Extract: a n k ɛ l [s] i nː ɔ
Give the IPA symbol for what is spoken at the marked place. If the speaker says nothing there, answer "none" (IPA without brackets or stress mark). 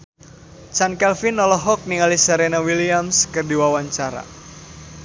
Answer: f